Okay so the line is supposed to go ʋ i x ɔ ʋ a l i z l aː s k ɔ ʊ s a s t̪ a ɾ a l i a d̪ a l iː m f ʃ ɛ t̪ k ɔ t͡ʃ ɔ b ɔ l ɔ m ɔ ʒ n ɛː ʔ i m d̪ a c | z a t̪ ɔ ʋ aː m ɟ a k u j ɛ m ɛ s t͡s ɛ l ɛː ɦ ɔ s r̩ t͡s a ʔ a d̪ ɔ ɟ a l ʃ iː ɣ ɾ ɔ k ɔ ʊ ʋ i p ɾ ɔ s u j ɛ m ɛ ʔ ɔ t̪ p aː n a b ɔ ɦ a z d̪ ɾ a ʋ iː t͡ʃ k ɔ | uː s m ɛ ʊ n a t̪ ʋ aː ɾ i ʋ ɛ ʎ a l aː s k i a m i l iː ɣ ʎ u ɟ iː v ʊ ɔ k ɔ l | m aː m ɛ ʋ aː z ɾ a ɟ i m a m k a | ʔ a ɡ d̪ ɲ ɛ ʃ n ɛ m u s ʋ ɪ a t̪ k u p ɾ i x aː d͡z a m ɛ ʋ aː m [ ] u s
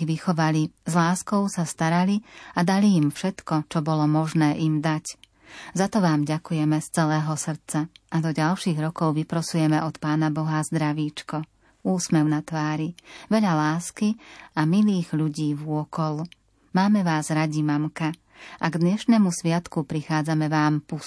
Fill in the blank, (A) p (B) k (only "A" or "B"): A